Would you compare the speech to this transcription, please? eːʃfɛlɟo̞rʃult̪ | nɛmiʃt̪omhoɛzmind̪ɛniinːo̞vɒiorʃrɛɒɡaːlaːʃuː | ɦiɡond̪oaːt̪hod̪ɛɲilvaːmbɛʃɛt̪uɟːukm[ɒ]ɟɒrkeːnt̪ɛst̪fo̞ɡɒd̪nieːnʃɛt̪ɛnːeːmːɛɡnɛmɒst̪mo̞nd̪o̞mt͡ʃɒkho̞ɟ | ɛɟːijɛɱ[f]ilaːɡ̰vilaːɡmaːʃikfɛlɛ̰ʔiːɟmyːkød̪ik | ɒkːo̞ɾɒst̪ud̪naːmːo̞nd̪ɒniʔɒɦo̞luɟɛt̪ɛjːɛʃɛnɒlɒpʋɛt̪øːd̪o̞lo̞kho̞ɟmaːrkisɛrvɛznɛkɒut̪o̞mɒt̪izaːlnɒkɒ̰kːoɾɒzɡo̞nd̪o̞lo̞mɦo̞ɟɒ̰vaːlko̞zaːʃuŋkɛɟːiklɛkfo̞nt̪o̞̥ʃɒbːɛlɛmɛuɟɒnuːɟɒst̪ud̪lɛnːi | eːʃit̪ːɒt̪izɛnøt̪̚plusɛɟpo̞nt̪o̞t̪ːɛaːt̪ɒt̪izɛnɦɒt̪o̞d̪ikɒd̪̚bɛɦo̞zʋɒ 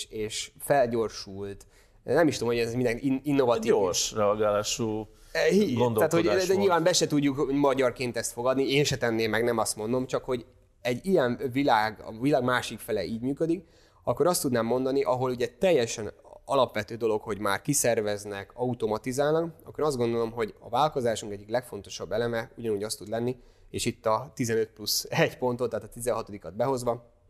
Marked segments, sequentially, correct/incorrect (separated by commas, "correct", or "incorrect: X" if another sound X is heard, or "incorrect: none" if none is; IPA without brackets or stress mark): correct, incorrect: v